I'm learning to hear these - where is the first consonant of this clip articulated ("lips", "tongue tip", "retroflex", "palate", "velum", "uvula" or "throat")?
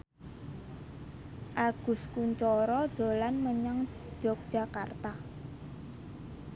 throat